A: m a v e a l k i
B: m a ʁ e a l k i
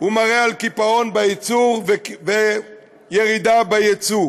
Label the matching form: B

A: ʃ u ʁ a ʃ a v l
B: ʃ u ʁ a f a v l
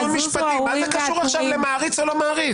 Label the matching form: A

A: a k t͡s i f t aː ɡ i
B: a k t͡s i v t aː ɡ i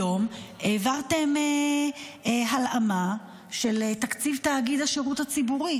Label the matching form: B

